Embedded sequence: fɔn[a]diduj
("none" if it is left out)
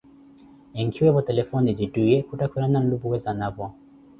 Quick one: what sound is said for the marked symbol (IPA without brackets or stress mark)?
i